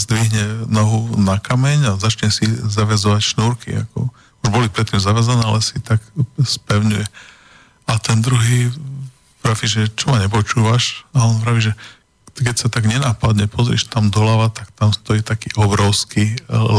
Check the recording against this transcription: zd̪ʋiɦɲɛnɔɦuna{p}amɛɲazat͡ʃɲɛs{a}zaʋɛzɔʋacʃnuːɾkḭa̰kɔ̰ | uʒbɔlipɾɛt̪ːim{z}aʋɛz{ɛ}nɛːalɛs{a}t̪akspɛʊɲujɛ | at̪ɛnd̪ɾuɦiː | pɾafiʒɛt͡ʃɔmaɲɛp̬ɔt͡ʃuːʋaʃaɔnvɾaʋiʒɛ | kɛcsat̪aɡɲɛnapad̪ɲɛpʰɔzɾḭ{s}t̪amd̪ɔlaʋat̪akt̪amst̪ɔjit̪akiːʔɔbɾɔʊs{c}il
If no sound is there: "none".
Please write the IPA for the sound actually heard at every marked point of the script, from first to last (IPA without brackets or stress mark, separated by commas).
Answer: k, i, z, a, i, ʃ, k